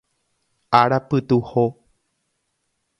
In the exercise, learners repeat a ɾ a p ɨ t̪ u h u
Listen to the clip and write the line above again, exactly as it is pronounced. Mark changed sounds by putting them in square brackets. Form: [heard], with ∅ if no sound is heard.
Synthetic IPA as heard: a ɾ a p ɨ t̪ u h [o]